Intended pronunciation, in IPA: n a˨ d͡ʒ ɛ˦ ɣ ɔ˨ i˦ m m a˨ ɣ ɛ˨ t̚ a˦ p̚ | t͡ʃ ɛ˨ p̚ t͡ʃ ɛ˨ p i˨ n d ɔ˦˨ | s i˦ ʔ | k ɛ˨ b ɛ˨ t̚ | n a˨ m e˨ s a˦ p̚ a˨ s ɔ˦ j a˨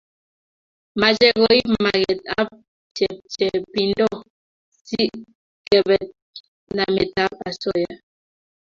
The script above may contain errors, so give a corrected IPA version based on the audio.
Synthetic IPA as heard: m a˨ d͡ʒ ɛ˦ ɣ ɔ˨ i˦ m m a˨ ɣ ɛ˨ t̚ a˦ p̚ | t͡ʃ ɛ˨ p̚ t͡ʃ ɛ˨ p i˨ n d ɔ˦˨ | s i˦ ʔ | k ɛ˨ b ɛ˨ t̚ | n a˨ m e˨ t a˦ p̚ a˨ s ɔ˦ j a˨